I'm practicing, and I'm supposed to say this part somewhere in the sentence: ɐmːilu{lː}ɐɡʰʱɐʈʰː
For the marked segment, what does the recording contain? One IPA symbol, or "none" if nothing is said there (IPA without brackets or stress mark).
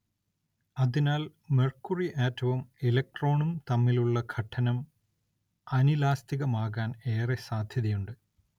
ɭː